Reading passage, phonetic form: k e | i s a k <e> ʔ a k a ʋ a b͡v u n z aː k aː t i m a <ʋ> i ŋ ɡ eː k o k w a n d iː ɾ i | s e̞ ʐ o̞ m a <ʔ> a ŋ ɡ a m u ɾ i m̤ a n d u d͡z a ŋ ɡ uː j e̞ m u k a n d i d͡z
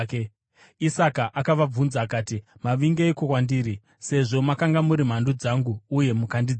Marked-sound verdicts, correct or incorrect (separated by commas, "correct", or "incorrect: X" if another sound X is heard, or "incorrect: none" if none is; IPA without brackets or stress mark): incorrect: a, correct, incorrect: k